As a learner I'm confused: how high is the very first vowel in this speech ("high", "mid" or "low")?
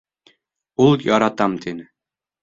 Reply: high